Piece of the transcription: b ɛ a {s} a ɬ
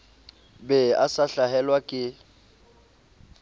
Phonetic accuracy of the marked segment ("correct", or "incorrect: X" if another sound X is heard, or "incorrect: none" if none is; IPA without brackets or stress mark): correct